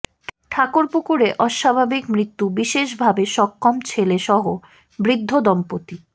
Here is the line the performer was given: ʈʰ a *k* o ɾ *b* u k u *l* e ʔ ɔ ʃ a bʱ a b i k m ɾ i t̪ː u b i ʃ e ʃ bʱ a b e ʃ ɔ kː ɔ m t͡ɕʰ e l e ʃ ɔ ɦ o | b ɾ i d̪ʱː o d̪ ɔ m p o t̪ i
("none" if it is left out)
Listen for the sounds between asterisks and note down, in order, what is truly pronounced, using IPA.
k, p, ɾ

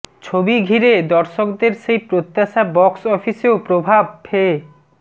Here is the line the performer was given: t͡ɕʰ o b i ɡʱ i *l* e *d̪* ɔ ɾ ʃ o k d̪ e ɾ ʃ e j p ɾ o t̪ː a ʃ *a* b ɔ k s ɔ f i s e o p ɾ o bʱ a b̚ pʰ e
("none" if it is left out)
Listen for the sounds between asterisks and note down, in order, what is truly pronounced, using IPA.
ɾ, d̪, a

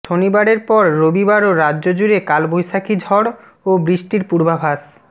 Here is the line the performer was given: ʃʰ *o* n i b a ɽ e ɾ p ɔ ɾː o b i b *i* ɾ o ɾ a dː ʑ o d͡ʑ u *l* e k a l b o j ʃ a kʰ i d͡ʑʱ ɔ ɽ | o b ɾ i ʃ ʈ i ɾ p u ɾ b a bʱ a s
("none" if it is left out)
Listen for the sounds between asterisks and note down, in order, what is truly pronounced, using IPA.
o, a, ɾ

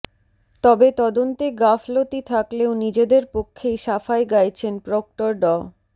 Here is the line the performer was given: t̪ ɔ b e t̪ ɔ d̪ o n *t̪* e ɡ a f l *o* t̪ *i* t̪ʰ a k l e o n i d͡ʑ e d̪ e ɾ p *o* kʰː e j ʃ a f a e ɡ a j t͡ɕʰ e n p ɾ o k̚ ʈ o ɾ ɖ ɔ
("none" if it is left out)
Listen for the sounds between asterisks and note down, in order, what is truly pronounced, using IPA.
t̪, o, i, o

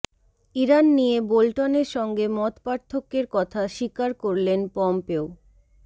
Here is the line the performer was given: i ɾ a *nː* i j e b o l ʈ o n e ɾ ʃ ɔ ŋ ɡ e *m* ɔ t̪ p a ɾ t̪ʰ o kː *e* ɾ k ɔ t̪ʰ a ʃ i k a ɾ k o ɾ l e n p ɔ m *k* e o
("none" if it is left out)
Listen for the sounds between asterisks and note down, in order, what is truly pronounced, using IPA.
nː, m, e, p

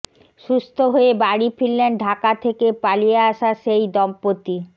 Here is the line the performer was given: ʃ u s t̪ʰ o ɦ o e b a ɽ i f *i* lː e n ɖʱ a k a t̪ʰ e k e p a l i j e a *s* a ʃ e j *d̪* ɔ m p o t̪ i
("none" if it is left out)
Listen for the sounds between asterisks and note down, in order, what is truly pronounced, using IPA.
i, ʃ, d̪

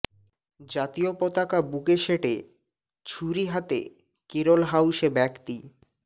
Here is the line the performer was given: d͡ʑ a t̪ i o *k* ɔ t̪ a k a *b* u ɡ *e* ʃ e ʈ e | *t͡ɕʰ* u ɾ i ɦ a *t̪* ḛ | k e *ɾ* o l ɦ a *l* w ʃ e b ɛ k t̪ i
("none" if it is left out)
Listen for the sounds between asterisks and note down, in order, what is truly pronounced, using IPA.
p, b, e, t͡ɕʰ, t̪, ɾ, none

